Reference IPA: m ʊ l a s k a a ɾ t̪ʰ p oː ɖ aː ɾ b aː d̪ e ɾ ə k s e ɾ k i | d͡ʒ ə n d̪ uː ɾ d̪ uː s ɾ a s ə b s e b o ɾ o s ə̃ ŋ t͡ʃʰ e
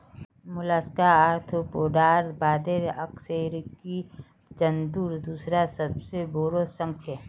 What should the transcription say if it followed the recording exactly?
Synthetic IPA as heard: m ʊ l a s k a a ɾ t̪ʰ p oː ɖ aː ɾ b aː d̪ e ɾ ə k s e ɾ k i | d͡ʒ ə n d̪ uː ɾ d̪ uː s ɾ a s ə b s e b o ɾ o s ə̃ ŋ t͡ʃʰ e